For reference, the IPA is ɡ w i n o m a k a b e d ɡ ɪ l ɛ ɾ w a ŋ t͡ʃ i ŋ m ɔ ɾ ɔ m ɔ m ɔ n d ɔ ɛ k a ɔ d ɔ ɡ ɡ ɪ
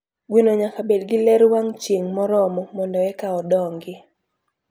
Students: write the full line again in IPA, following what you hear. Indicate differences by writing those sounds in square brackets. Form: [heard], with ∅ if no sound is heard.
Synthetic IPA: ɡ w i n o [ɲ] a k a b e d ɡ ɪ l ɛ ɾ w a ŋ t͡ʃ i ŋ m ɔ ɾ ɔ m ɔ m ɔ n d ɔ ɛ k a ɔ d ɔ [ŋ] ɡ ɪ